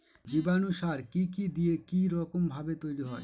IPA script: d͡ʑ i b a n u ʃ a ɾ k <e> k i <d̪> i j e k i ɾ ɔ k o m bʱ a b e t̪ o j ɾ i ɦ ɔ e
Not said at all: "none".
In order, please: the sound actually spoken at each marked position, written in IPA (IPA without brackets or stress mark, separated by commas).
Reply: i, d̪